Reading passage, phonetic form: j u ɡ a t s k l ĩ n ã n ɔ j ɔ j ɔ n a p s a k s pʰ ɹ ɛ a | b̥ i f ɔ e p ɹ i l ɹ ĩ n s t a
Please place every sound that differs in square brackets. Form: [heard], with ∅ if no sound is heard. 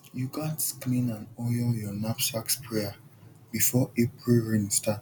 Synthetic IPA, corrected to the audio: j u ɡ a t s k l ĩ n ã n ɔ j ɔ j ɔ n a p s a k s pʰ ɹ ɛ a | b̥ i f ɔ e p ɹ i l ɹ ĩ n s t a